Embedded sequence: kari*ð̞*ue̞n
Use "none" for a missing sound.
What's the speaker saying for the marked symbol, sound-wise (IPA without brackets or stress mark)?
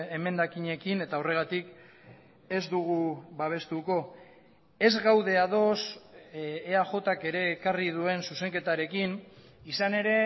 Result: ð̞